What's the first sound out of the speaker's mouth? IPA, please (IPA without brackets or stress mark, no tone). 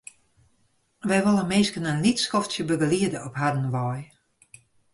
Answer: ʋ